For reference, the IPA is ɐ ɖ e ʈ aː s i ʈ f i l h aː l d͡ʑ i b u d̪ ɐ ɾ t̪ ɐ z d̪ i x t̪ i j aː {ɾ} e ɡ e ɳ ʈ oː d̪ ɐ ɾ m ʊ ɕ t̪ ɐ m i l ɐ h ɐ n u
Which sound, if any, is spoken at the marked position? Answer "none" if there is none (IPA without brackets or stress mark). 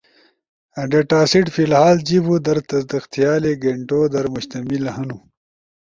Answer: l